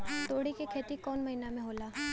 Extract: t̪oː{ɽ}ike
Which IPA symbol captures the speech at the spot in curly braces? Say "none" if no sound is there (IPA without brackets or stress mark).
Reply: ɽ